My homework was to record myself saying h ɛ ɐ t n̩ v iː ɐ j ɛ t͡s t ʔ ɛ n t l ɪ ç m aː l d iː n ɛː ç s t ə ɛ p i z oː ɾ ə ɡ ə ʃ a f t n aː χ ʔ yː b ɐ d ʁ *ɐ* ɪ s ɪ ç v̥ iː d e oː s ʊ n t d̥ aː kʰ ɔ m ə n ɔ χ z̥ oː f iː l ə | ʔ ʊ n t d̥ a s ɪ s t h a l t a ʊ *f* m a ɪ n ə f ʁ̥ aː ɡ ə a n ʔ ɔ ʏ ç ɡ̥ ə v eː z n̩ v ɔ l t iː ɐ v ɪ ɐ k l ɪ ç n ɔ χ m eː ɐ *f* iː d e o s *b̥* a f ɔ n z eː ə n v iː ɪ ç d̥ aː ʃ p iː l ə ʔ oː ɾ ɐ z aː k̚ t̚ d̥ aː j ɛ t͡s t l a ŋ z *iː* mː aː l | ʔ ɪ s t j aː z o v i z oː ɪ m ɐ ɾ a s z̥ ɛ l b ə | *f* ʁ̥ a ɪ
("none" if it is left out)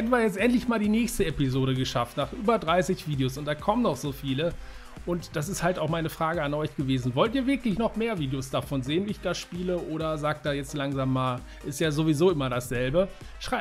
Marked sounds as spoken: a, x, v, d̥, aː, ʃ

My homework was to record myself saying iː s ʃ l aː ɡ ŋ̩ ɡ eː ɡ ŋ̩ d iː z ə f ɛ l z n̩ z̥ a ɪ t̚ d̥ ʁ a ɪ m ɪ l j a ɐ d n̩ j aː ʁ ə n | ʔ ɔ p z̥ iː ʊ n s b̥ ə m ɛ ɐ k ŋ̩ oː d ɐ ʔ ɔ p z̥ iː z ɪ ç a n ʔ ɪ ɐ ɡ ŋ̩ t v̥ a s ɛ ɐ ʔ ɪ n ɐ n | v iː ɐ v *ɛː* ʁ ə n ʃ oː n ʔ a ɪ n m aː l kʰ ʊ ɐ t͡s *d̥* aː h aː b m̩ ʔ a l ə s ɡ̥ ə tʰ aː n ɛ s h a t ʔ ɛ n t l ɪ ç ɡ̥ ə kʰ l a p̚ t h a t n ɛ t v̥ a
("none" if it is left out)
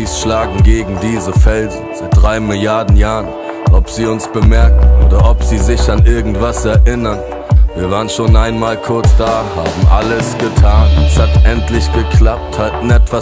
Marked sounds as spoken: aː, d̥

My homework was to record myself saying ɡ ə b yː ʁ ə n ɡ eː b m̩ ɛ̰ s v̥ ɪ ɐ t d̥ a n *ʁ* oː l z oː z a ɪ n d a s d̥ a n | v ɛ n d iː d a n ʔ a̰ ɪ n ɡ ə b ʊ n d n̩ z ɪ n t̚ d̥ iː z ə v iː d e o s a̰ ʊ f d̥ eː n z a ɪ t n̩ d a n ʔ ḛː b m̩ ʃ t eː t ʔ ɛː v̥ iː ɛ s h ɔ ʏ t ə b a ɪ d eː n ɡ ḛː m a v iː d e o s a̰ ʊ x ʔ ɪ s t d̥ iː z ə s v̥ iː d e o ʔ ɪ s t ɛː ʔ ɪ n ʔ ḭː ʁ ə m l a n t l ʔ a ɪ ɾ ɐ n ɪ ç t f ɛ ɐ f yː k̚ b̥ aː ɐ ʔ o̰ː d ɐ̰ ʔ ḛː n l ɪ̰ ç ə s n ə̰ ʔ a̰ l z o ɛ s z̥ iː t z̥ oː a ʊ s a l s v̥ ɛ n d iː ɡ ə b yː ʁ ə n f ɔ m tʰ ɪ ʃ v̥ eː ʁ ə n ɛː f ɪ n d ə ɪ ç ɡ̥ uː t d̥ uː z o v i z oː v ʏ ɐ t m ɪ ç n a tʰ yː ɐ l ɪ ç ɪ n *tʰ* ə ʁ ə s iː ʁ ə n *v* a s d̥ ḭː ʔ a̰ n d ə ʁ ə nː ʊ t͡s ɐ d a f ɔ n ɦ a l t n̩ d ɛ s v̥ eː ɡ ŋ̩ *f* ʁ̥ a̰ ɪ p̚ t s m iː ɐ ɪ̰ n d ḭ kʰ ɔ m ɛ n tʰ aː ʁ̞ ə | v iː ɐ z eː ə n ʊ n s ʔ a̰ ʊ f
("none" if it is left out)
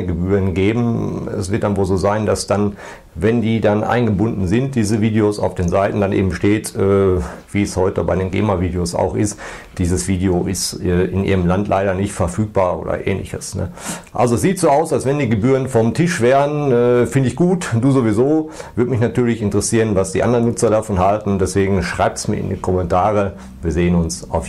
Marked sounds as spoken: v, t, v, ʃ

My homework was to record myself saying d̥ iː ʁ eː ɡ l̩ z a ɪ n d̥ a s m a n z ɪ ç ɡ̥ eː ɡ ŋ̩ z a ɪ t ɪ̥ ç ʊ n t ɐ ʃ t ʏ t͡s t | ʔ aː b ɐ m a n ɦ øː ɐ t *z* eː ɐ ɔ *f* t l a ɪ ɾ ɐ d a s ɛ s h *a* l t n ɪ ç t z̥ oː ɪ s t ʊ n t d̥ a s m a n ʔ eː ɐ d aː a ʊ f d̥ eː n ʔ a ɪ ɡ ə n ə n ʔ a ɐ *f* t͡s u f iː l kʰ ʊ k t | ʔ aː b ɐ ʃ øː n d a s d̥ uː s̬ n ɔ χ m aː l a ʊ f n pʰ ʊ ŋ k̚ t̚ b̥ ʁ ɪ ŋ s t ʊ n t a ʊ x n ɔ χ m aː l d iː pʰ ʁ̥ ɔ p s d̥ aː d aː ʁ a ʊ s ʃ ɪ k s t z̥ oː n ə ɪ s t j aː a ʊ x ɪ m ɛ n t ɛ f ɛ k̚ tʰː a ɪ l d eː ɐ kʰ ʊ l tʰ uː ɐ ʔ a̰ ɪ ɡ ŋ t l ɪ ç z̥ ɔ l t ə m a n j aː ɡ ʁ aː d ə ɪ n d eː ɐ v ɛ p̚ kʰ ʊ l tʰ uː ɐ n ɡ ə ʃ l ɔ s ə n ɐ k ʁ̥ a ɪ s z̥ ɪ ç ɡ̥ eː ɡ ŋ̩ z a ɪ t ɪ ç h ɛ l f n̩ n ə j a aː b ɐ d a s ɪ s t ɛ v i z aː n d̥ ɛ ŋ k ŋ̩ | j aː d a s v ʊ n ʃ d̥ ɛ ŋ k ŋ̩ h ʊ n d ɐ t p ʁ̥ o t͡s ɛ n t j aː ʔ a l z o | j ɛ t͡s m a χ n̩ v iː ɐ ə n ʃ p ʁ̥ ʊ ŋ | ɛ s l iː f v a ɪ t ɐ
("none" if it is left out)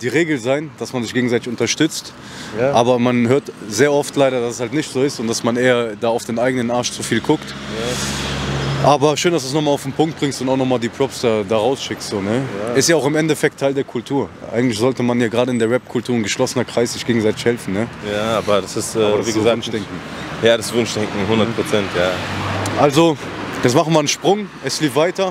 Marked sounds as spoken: z, f, a, ʃ

